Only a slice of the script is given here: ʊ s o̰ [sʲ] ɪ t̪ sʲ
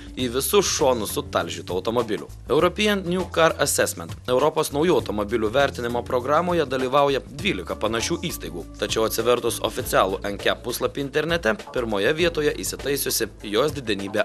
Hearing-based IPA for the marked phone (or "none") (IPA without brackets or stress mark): fʲ